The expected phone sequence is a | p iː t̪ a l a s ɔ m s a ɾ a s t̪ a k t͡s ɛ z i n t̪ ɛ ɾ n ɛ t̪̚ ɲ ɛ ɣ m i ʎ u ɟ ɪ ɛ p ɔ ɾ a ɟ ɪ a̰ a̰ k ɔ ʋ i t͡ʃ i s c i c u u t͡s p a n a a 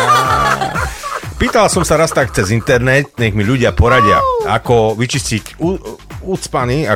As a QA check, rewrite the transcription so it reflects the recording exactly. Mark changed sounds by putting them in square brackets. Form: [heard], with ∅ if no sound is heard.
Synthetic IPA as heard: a | p iː t̪ a l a s ɔ m s a ɾ a s t̪ a k t͡s ɛ z i n t̪ ɛ ɾ n ɛ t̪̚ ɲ ɛ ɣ m i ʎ u ɟ ɪ [a] p ɔ ɾ a ɟ ɪ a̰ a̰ k ɔ ʋ i t͡ʃ i s c i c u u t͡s p a n [i] a